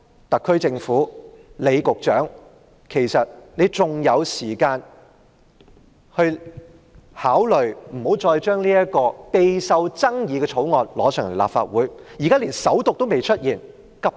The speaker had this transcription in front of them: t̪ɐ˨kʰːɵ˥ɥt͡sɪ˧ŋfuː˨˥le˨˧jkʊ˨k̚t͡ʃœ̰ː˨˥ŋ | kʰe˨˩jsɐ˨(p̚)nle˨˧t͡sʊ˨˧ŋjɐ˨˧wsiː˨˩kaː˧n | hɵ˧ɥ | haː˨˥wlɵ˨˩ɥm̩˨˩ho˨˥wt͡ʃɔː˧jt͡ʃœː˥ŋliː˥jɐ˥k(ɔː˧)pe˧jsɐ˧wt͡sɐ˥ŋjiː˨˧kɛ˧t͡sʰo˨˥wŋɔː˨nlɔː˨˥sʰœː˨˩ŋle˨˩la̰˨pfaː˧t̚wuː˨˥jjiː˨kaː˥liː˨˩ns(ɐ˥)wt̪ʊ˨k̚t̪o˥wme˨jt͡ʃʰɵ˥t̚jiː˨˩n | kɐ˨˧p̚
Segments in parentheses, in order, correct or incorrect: incorrect: t̚, correct, incorrect: ɐ˨˥

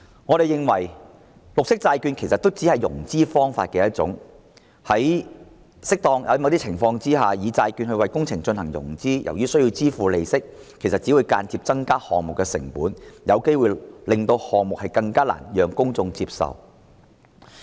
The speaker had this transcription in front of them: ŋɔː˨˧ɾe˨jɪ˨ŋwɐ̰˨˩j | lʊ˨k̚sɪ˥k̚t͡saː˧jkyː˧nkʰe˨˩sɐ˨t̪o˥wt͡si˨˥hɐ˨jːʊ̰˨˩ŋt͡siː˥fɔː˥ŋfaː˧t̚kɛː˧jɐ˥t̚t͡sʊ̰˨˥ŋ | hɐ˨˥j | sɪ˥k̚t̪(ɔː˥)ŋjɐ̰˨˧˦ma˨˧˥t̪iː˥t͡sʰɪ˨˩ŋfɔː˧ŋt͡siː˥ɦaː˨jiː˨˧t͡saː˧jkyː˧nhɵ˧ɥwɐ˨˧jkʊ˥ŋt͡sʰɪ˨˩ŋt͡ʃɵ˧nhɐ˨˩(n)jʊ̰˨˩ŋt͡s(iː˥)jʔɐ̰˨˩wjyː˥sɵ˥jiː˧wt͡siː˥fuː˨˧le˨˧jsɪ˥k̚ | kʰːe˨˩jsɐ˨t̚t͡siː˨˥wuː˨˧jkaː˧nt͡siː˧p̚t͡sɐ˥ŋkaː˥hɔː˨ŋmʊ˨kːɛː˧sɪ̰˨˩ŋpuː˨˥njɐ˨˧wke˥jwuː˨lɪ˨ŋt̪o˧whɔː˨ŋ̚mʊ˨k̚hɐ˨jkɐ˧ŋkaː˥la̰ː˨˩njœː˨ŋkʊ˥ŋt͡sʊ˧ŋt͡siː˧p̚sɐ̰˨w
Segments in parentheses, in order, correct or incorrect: incorrect: ɔː˧, incorrect: ŋ, correct

